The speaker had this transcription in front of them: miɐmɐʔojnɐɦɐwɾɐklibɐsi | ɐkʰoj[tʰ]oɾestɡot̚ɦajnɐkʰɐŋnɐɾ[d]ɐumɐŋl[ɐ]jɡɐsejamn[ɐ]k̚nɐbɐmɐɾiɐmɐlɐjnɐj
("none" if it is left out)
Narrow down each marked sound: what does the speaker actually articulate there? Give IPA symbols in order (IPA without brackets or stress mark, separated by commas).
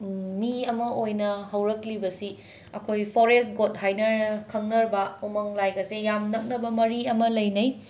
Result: pʰ, b, a, ɐ